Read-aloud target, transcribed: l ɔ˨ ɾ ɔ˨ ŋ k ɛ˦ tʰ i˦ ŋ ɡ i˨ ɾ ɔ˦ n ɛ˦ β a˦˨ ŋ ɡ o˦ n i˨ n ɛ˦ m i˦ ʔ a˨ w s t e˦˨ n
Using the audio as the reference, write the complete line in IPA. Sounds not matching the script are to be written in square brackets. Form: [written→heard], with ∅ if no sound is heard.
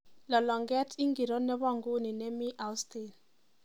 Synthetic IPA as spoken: l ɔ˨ [ɾ→l] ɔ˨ ŋ [k→ɡ] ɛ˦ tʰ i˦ ŋ ɡ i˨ ɾ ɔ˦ n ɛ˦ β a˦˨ ŋ ɡ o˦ n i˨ n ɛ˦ m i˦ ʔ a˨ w s t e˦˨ n